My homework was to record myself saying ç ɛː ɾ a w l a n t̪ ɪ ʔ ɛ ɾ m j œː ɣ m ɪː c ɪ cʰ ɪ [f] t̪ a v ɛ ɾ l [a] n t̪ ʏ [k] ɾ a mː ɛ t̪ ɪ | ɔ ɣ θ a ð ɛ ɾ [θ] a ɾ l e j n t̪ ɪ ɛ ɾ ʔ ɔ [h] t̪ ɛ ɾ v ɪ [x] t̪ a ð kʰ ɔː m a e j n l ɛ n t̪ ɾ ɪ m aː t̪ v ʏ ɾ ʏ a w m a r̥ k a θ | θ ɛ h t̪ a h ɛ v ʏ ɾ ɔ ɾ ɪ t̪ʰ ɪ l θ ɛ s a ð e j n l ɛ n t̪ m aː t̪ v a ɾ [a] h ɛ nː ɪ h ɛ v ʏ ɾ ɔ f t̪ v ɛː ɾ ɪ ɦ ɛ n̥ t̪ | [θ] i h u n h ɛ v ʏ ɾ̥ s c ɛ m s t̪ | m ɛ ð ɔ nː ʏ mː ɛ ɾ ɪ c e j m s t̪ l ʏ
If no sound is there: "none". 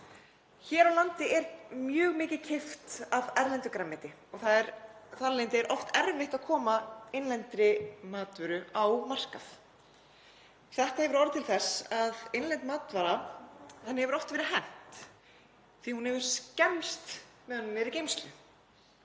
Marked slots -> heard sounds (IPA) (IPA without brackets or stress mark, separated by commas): f, ɛ, k, θ, f, h, a, θ